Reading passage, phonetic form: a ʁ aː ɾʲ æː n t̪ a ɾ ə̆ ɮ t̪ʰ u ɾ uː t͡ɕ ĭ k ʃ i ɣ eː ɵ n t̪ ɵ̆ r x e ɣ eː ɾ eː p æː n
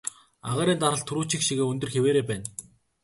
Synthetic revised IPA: a ʁ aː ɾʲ iː n t̪ a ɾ ə̆ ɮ t̪ʰ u ɾ uː t͡ɕ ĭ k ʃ i ɣ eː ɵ n t̪ ɵ̆ r x e w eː ɾ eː p æː n